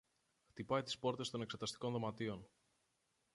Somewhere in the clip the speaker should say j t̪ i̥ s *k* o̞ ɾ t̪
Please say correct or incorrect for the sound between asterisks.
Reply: incorrect